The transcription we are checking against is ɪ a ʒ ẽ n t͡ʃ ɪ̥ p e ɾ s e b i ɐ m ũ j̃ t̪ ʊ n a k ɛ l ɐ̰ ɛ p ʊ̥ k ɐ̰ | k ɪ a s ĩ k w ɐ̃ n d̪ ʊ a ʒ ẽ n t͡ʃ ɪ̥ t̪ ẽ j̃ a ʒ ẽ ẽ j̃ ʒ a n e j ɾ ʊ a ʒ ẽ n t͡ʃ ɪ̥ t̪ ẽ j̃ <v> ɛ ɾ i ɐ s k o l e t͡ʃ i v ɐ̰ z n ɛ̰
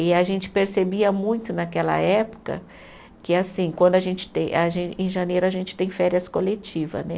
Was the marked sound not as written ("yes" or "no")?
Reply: yes